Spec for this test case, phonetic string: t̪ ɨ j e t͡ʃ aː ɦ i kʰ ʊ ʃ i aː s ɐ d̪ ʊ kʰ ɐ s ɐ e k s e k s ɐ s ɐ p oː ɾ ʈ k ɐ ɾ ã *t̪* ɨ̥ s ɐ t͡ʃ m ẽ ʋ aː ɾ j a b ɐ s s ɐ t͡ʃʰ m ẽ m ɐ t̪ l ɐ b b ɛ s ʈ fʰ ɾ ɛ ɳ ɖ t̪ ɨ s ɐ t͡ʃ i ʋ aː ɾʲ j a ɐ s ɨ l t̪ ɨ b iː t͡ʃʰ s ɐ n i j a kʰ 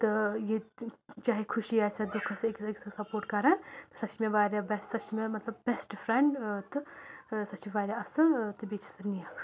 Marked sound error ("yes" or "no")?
no